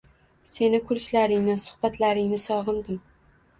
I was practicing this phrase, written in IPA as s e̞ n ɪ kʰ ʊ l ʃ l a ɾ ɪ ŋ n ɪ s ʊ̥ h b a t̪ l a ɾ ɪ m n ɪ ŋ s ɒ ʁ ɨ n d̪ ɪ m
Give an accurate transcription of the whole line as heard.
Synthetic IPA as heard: s e̞ n ɪ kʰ ʊ l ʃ l a ɾ ɪ ŋ n ɪ s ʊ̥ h b a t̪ l a ɾ ɪ ŋ n ɪ s ɒ ʁ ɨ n d̪ ɪ m